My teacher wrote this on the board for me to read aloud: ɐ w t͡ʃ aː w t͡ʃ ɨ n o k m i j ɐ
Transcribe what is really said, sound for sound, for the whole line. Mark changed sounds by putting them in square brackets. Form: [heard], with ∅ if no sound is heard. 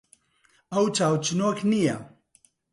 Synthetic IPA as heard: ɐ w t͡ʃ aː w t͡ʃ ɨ n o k [n] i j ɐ

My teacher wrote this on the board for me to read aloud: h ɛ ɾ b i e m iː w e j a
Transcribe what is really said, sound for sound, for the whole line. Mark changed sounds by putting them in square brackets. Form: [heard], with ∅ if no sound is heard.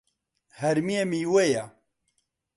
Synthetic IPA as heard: h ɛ ɾ [m] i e m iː w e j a

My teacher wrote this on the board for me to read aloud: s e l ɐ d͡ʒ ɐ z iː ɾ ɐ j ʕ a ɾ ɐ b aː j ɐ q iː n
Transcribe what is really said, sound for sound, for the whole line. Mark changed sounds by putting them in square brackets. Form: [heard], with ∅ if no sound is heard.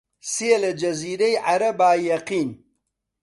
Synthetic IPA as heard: s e l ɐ d͡ʒ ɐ z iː ɾ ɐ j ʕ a ɾ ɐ b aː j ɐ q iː n

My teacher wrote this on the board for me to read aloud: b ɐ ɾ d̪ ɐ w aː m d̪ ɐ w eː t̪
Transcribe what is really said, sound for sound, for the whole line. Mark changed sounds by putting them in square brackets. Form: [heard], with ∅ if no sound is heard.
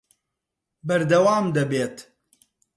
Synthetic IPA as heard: b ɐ ɾ d̪ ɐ w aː m d̪ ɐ [b] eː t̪

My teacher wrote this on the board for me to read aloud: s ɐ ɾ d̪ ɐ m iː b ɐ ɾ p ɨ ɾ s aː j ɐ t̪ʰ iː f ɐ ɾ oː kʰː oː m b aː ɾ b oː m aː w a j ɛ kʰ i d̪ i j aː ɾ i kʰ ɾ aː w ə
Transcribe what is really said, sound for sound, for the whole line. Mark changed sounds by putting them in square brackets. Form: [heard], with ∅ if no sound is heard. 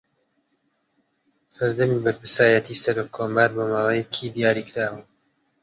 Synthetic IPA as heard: s ɐ ɾ d̪ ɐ m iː b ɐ ɾ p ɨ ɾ s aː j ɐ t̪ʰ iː [s] ɐ ɾ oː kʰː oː m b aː ɾ b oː m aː w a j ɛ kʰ i d̪ i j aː ɾ i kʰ ɾ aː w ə

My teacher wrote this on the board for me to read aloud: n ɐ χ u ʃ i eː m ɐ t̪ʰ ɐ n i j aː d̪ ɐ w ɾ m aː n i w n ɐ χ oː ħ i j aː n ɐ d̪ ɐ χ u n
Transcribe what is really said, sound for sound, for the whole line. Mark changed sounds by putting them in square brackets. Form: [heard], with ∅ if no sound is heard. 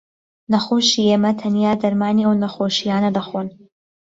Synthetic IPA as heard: n ɐ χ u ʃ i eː m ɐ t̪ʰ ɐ n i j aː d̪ ɐ [∅] ɾ m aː n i w n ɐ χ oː [ʃ] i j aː n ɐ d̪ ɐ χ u n

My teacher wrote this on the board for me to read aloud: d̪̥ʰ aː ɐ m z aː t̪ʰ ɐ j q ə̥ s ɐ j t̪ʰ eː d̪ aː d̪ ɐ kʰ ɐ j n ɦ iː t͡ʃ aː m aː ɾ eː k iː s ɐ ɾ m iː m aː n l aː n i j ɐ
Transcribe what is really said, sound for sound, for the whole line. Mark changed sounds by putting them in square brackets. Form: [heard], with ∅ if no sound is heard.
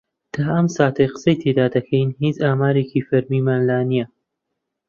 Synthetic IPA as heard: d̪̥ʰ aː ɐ m [s] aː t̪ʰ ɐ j q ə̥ s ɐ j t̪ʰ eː d̪ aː d̪ ɐ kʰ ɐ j n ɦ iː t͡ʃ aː m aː ɾ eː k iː [f] ɐ ɾ m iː m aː n l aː n i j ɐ

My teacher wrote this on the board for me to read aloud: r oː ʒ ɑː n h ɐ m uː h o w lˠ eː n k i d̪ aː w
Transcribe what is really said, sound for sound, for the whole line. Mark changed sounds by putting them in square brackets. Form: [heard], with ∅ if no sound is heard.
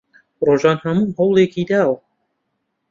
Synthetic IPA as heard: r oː ʒ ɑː n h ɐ m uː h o w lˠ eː [∅] k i d̪ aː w

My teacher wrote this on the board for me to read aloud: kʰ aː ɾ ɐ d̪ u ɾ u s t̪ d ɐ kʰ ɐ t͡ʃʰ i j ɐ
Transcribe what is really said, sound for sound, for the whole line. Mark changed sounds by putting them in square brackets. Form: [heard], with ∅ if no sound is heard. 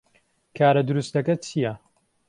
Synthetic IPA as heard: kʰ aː ɾ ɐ d̪ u ɾ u s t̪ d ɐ [k] ɐ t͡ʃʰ i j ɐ

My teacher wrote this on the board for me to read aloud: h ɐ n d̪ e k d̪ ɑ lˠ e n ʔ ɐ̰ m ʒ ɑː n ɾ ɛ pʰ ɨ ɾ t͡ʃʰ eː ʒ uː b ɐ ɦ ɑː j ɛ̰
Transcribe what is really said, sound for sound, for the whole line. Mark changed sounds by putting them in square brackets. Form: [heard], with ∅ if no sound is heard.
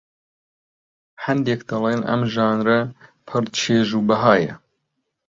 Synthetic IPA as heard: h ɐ n d̪ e k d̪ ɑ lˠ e n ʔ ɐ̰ m ʒ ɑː n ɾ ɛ pʰ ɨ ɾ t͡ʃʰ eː ʒ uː b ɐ ɦ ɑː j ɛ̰

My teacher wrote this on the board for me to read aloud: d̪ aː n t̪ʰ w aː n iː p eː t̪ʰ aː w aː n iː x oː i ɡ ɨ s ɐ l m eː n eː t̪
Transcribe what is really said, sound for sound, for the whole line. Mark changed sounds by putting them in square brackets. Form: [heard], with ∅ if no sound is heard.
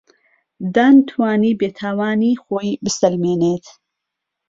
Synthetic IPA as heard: d̪ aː n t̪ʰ w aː n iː [b] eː t̪ʰ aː w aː n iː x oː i [b] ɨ s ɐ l m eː n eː t̪

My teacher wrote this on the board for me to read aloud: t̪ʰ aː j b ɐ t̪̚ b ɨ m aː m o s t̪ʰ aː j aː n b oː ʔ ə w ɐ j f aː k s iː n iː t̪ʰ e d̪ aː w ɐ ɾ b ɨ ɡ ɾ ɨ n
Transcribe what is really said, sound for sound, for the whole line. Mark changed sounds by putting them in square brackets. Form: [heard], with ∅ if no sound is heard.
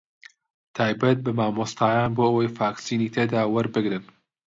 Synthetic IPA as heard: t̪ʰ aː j b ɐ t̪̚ b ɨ m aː m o s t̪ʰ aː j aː n b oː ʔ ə w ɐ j f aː k s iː n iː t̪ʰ e d̪ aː w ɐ ɾ b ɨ ɡ ɾ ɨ n

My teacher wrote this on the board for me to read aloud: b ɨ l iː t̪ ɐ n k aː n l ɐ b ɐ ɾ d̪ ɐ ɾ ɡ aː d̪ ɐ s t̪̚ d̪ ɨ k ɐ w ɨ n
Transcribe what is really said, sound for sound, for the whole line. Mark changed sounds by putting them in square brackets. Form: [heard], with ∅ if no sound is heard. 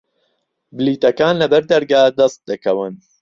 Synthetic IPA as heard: b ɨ l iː t̪ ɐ [∅] k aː n l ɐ b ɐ ɾ d̪ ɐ ɾ ɡ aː d̪ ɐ s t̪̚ d̪ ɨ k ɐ w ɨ n

